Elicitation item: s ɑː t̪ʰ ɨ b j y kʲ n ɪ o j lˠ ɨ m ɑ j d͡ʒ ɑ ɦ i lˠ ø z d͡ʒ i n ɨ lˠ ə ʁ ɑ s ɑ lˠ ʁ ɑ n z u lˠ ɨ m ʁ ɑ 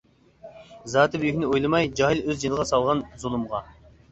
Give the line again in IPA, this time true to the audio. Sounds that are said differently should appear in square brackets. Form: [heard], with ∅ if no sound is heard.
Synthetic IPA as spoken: [z] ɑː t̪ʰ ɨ b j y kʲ n ɪ o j lˠ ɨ m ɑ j d͡ʒ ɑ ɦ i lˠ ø z d͡ʒ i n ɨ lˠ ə ʁ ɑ s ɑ lˠ ʁ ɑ n z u lˠ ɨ m ʁ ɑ